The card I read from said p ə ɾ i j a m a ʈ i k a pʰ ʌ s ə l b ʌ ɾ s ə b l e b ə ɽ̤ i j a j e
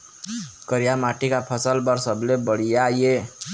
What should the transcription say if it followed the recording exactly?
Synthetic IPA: k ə ɾ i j a m a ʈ i k a pʰ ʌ s ə l b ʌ ɾ s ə b l e b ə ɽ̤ i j a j e